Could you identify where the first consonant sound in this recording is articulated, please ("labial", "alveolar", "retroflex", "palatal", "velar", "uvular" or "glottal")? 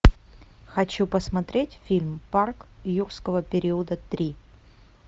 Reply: velar